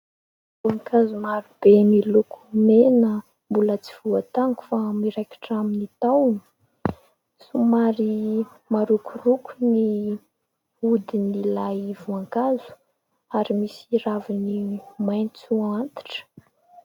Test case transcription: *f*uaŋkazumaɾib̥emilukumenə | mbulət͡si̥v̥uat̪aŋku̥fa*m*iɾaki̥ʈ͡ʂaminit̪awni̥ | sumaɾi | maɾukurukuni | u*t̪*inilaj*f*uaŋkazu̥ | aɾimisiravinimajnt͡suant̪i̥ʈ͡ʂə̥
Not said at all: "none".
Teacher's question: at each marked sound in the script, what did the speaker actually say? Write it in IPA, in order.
v, m, d̪, v

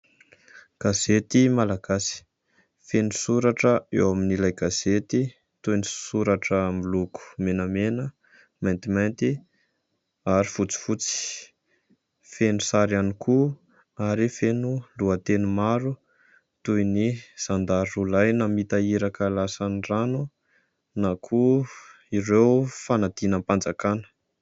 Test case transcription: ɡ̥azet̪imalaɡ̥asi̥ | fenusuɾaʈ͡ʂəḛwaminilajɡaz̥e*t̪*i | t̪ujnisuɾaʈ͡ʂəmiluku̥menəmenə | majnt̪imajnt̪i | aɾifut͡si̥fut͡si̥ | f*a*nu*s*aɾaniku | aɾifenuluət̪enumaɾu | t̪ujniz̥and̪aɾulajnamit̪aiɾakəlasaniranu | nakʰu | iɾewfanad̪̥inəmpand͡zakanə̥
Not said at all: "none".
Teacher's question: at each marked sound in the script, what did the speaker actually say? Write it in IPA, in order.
t̪, e, s

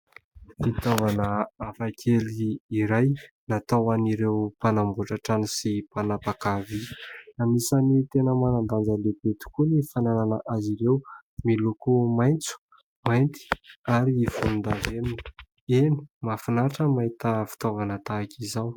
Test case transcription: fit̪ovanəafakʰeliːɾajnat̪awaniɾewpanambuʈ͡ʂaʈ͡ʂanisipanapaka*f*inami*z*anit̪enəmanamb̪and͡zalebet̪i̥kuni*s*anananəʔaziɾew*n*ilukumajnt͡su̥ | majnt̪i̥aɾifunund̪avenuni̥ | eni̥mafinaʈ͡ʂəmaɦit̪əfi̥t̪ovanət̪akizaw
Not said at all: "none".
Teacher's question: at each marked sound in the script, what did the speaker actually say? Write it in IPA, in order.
v, s, f, m

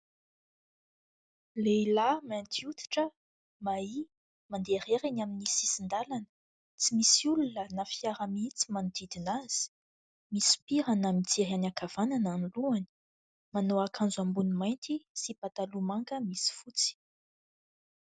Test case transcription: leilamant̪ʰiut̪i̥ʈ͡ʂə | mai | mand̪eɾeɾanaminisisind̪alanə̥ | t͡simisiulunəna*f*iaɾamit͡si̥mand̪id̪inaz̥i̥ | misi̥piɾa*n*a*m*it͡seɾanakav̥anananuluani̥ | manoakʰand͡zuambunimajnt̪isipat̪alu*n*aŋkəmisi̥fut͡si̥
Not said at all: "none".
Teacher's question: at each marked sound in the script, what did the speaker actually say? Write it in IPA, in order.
f, n, m, m

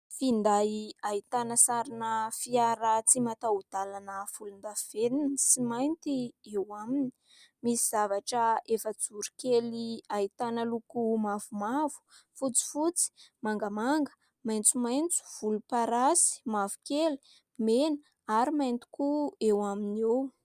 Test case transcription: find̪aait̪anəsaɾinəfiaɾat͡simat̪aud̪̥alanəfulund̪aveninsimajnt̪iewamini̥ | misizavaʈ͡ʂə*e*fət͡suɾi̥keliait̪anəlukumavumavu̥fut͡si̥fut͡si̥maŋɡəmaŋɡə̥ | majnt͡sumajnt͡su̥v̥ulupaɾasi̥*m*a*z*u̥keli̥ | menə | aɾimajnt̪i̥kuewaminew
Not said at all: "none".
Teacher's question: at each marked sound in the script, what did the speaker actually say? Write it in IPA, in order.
e, m, v

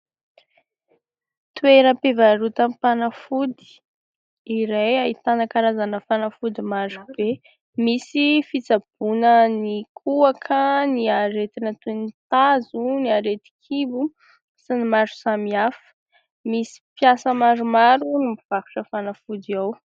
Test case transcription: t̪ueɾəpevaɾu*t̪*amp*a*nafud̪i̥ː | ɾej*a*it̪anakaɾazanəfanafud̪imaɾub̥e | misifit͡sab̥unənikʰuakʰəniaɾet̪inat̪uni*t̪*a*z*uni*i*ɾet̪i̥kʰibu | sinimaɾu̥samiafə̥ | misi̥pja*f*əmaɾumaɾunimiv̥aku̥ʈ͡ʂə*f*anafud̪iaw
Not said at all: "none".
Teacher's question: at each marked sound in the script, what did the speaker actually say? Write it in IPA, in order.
t̪, a, a, t̪, z, a, s, f

